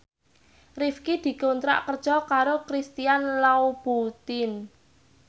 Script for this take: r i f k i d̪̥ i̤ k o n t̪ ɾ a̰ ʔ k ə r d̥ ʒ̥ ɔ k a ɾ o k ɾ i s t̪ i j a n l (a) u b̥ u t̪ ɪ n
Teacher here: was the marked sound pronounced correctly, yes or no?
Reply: yes